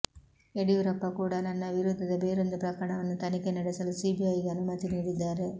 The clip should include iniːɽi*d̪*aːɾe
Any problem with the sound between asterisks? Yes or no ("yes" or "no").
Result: yes